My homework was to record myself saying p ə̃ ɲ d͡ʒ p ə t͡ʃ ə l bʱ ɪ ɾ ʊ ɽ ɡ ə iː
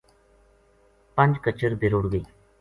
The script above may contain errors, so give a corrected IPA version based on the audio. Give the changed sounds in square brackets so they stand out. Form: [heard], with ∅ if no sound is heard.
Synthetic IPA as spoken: p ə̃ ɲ d͡ʒ [k] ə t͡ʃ ə [ɾ] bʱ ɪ ɾ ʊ ɽ ɡ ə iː